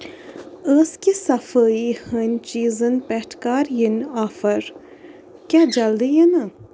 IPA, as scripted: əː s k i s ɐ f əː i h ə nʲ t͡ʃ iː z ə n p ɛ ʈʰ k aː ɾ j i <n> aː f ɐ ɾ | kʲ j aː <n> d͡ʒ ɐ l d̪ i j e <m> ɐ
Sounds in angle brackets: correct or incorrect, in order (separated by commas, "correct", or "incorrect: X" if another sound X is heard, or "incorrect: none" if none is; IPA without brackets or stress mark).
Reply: correct, incorrect: none, incorrect: n